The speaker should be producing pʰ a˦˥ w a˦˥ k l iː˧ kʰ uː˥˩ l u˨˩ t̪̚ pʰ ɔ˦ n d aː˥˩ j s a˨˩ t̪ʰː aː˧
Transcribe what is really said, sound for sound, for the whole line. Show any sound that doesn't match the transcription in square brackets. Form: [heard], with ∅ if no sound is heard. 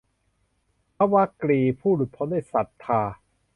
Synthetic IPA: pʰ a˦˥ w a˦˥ k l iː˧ [pʰ] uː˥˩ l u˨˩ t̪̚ pʰ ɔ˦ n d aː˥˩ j s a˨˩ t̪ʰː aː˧